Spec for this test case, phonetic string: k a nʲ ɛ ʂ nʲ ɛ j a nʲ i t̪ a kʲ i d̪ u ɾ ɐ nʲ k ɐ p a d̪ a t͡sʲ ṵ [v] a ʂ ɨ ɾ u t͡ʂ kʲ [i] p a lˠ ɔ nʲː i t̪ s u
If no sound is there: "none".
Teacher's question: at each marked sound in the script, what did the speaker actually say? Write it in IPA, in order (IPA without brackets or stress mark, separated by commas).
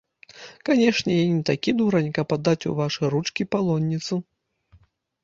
v, i